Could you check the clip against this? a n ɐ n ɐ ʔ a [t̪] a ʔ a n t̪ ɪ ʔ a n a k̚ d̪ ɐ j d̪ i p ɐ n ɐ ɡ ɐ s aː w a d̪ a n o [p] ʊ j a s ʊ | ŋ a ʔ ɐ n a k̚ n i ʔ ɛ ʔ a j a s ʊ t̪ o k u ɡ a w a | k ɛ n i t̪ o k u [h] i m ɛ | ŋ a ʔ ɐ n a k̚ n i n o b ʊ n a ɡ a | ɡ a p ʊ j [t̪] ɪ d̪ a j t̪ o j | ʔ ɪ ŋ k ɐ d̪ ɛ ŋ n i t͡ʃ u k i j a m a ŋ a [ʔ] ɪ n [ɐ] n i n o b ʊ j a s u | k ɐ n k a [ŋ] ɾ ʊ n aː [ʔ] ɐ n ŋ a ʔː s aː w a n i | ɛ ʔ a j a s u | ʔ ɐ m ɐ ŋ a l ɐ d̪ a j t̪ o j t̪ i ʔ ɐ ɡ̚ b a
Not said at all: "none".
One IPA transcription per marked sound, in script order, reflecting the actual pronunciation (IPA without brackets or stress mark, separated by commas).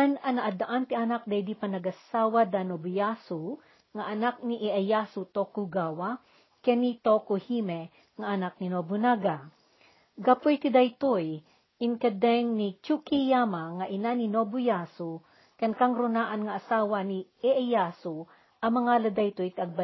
d̪, b, h, t̪, ʔ, a, ŋ, ʔ